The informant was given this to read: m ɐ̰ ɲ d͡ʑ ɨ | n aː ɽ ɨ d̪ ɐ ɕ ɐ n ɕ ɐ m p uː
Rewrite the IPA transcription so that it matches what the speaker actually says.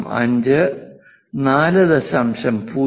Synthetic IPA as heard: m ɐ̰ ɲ d͡ʑ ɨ | n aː l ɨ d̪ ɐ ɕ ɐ m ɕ ɐ m p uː

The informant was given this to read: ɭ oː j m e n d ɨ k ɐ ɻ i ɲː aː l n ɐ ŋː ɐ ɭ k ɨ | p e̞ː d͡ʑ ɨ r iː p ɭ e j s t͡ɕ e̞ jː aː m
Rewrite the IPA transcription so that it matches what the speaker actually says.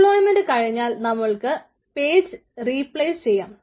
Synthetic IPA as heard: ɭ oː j m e n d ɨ k ɐ ɻ i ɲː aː l n ɐ mː ɐ ɭ k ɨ | p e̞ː d͡ʑ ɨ r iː p ɭ e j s t͡ɕ e̞ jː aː m

